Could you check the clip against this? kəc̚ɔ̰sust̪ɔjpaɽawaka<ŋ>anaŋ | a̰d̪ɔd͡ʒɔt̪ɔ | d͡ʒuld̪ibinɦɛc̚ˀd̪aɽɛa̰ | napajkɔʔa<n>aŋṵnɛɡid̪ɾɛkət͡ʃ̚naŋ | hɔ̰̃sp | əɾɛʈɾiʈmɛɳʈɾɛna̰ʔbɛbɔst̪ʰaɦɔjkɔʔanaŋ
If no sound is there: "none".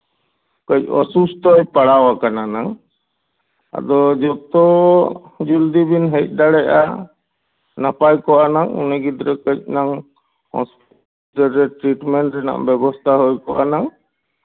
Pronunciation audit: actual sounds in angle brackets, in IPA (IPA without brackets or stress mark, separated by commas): n, n